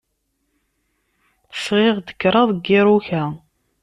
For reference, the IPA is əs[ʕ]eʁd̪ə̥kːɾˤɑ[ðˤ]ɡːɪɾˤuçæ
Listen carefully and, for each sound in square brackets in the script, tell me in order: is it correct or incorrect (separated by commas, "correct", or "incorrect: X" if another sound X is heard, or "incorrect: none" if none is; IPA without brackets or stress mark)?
incorrect: ʁ, correct